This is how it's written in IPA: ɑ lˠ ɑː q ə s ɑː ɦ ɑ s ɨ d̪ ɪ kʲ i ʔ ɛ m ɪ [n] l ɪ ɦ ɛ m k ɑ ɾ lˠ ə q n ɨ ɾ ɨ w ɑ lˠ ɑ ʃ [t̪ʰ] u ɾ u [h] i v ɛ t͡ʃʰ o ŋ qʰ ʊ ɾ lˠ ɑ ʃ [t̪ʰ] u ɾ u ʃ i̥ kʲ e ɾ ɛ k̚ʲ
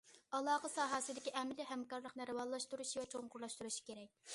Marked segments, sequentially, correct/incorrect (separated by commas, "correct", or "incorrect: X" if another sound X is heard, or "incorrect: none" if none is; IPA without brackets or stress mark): incorrect: none, incorrect: t̪, incorrect: ʃ, incorrect: t̪